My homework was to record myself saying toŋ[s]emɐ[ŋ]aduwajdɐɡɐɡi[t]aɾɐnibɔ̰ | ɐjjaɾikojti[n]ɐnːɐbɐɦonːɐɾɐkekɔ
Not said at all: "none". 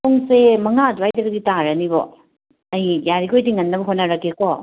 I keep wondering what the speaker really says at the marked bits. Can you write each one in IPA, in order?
s, ŋ, t, ŋ

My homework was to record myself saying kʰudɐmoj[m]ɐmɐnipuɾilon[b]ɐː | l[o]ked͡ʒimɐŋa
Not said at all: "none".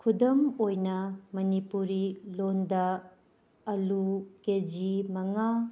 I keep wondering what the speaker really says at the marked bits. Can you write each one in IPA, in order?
n, d, u

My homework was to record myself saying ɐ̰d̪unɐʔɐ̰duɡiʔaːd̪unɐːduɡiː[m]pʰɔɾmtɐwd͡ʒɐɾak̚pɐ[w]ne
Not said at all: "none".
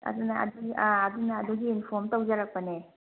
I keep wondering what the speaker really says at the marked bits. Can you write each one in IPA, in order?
n, none

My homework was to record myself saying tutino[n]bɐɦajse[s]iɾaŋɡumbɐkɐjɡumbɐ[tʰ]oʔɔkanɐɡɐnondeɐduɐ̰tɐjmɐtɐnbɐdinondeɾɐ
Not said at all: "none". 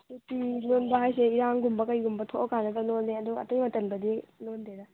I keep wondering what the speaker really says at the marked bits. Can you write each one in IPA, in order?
n, none, tʰ

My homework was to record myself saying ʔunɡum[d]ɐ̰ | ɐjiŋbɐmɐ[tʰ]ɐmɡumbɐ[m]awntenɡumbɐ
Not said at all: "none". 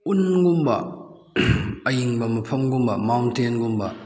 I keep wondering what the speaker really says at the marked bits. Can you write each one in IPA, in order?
b, pʰ, m

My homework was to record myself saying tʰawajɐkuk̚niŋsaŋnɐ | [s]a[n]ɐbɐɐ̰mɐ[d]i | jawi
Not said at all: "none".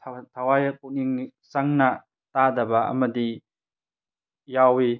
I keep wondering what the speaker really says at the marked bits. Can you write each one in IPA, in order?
t, d, d

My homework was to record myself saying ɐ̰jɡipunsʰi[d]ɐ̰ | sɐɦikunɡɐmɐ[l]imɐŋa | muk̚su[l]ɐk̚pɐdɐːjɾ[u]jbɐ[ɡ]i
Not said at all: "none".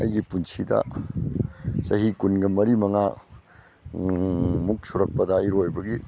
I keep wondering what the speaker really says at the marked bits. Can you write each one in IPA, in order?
d, ɾ, ɾ, o, ɡ

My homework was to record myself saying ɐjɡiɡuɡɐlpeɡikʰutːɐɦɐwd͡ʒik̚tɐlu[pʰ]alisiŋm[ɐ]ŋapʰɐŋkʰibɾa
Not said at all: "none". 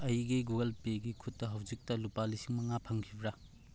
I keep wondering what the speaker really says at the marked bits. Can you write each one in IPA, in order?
p, ɐ

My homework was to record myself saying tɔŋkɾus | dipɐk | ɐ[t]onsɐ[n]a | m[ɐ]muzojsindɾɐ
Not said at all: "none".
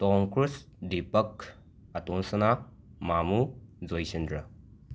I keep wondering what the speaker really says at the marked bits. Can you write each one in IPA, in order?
t, n, a

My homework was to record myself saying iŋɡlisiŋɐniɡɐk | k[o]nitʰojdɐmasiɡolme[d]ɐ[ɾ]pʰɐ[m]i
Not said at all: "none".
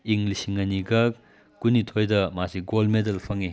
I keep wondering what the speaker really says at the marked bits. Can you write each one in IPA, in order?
u, d, l, ŋ

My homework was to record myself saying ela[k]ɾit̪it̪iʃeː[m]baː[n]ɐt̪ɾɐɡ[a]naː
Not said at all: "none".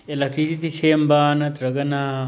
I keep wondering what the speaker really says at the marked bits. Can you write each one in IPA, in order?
k, m, n, ɐ

